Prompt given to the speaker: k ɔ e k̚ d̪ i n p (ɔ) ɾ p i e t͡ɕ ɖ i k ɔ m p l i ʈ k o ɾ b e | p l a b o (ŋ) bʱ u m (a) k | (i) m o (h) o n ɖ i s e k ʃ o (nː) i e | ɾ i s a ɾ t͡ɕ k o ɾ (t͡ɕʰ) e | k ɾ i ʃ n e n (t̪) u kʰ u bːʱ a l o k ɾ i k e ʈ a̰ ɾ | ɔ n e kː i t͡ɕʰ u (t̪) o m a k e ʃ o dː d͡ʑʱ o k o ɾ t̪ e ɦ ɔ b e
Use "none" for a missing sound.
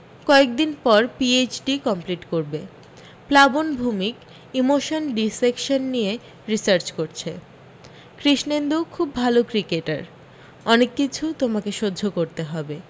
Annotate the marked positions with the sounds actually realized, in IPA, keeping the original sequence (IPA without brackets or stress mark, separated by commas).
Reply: ɔ, n, i, i, ʃ, nː, t͡ɕʰ, d̪, t̪